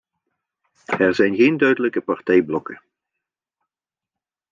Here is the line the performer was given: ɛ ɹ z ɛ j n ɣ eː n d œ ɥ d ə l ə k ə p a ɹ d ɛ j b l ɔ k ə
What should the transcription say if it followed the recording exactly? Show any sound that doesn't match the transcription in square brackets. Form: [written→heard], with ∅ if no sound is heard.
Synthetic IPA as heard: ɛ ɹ z ɛ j n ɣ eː n d œ ɥ d ə l ə k ə p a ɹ [d→t] ɛ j b l ɔ k ə